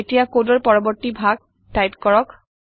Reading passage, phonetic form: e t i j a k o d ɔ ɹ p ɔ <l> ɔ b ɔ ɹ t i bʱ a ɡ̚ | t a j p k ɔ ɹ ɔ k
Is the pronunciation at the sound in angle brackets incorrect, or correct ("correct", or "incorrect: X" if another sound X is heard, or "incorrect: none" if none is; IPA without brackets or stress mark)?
incorrect: ɹ